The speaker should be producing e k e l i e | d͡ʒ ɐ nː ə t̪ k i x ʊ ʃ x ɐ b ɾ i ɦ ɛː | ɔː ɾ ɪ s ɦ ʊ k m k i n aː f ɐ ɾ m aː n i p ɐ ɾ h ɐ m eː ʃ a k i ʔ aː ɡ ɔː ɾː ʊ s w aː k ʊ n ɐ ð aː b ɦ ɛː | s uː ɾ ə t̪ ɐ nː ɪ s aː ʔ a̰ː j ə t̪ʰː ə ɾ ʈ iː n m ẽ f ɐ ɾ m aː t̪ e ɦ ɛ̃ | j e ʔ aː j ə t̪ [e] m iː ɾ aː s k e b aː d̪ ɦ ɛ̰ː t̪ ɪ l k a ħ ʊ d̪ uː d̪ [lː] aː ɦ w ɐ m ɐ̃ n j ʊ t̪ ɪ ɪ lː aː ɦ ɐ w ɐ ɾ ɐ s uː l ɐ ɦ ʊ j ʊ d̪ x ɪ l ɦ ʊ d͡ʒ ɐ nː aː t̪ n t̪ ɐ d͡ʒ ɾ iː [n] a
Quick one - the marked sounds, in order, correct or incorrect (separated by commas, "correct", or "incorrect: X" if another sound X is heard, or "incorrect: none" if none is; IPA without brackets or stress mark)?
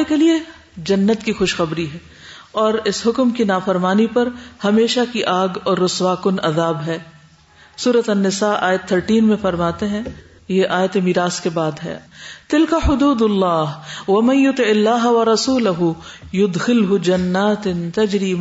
correct, correct, incorrect: m